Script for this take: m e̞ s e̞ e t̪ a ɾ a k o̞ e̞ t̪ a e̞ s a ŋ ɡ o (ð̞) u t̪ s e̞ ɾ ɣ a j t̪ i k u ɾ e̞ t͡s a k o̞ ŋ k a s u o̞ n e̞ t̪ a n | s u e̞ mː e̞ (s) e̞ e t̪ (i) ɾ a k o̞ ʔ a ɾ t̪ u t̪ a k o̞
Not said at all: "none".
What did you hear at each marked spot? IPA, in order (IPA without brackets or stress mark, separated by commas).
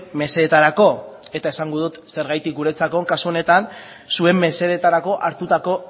ð̞, s, a